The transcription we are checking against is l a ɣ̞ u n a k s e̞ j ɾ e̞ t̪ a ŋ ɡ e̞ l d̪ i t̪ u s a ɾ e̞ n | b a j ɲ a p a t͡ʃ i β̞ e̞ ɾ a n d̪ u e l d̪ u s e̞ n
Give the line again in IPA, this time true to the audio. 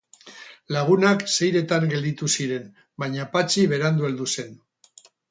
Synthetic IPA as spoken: l a ɣ̞ u n a k s e̞ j ɾ e̞ t̪ a ŋ ɡ e̞ l d̪ i t̪ u s i ɾ e̞ n | b a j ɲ a p a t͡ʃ i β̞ e̞ ɾ a n d̪ u e l d̪ u s e̞ n